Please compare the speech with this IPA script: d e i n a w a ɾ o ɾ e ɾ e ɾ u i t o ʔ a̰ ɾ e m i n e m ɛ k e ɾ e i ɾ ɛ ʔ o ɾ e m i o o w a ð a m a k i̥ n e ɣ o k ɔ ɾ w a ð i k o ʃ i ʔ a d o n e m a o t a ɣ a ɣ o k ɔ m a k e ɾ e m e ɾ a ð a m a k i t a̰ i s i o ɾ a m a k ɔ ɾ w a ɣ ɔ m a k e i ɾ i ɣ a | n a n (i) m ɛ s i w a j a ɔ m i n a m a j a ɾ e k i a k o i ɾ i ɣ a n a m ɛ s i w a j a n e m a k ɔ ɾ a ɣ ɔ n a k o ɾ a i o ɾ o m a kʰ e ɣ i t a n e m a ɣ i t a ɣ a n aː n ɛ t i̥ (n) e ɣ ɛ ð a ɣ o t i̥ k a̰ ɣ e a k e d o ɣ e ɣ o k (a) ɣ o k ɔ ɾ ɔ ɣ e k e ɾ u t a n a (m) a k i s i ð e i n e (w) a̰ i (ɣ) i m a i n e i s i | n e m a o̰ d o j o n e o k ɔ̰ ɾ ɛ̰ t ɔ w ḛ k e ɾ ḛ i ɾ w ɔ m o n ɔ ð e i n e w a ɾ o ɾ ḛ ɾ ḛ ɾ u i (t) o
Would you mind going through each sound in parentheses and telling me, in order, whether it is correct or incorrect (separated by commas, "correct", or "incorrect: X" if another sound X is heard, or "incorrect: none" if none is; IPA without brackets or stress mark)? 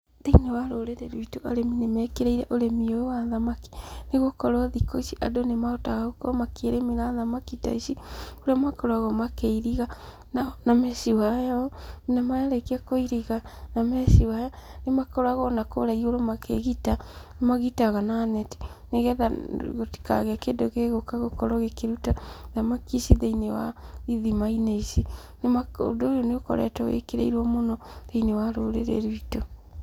incorrect: a, correct, correct, correct, correct, incorrect: ð, correct